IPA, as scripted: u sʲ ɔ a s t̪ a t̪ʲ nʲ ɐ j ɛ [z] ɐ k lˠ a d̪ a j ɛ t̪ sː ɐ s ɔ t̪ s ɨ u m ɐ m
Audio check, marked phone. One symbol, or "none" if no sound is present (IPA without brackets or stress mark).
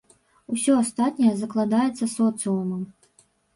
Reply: z